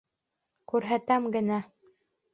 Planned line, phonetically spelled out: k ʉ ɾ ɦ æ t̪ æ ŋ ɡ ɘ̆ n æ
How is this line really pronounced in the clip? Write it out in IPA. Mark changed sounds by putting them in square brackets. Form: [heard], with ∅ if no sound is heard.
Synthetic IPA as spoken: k ʉ ɾ ɦ æ t̪ æ [m] ɡ ɘ̆ n æ